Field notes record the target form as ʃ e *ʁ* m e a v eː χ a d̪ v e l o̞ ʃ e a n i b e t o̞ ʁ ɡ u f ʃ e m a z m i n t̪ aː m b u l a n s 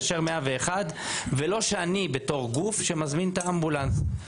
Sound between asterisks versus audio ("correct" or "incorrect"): correct